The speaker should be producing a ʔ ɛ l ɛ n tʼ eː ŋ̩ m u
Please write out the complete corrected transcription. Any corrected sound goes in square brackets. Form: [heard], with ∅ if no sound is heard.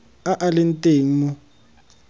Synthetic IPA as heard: a ʔ [a] l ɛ n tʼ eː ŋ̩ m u